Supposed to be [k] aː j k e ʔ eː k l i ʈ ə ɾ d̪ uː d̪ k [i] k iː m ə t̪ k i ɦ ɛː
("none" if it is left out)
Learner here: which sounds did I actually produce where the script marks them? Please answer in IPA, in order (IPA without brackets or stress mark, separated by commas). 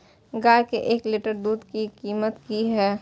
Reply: ɡ, i